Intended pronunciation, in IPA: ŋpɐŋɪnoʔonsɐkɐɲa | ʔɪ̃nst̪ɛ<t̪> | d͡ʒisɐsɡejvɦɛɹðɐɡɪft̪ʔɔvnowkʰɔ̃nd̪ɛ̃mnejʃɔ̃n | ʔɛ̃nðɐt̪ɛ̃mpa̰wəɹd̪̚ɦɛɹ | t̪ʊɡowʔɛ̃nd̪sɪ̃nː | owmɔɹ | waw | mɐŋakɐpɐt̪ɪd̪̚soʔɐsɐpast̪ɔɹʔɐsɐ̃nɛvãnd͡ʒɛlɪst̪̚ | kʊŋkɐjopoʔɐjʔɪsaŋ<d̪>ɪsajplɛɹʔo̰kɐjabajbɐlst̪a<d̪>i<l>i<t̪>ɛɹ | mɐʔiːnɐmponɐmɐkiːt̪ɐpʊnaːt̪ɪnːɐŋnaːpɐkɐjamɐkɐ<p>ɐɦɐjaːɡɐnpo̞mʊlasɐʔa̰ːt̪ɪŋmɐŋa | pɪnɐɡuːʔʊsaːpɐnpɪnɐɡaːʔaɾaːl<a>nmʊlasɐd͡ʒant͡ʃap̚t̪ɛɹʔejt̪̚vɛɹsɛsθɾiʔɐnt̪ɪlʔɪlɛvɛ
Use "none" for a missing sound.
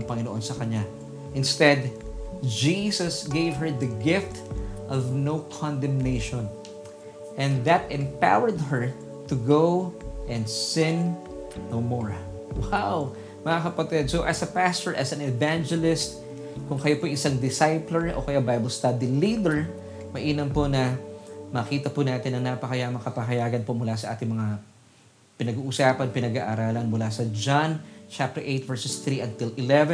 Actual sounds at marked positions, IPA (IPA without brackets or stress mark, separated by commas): d̪, d̪, d̪, l, d̪, p, ɐ